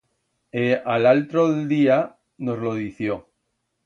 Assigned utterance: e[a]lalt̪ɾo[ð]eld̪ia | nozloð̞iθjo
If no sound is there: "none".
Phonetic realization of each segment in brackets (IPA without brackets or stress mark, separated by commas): a, ð